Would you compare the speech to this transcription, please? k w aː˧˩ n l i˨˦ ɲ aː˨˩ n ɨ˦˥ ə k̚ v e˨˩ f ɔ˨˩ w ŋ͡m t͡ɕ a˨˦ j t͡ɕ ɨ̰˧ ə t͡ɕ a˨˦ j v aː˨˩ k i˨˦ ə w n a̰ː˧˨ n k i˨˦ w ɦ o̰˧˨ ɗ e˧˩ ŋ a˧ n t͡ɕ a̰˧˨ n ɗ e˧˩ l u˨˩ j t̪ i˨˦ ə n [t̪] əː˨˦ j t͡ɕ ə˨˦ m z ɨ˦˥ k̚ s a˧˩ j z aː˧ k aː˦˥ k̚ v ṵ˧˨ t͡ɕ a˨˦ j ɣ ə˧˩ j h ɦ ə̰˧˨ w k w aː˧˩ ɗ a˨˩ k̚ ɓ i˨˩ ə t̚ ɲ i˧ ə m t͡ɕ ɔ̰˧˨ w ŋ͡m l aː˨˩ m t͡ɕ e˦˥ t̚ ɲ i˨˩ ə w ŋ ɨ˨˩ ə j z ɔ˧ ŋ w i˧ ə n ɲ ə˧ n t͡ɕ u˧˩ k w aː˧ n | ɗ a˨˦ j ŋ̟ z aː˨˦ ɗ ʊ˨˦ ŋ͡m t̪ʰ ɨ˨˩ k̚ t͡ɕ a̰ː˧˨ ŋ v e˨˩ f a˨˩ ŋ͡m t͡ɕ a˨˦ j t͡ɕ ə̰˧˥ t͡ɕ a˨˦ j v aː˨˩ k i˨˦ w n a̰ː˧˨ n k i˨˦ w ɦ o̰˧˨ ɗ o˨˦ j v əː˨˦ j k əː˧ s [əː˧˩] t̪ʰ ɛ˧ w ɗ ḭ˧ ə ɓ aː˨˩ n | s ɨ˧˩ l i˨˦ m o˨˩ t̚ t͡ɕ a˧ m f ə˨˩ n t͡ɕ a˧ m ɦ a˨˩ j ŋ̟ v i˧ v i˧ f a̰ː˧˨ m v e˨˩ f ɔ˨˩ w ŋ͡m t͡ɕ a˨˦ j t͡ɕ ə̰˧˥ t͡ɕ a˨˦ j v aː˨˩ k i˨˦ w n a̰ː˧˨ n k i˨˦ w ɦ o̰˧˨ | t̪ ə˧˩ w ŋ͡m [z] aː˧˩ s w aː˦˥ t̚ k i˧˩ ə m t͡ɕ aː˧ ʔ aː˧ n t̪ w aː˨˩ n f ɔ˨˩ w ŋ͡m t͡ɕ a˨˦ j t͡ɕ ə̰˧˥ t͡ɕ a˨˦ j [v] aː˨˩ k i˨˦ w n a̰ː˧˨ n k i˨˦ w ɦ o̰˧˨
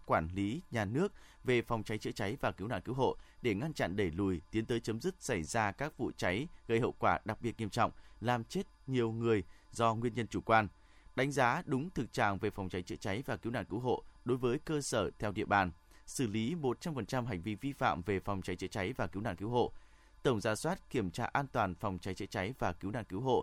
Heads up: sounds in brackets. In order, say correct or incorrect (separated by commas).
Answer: correct, correct, correct, correct